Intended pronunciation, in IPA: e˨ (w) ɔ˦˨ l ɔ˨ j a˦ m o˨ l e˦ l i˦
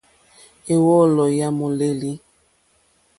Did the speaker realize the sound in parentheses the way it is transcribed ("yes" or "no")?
yes